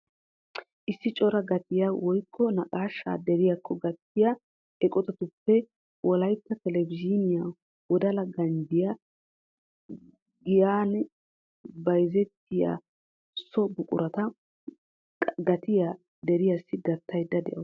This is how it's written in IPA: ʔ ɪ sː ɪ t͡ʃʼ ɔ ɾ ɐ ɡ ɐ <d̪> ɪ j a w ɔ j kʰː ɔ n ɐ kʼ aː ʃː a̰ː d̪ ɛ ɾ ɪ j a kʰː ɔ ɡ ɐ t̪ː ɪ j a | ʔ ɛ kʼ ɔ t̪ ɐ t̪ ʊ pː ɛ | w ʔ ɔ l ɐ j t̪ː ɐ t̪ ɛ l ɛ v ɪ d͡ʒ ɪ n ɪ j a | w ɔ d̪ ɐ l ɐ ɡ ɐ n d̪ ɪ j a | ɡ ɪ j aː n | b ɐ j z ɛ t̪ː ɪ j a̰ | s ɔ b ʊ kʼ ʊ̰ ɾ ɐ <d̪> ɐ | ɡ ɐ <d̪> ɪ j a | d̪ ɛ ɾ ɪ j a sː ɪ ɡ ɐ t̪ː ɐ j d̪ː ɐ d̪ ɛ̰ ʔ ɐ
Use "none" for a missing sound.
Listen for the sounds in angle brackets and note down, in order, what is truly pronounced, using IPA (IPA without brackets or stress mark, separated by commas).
t̪, t̪, t̪